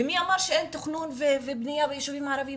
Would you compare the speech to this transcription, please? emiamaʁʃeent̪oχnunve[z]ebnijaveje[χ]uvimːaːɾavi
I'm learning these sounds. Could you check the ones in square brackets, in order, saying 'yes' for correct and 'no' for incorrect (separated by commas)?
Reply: no, no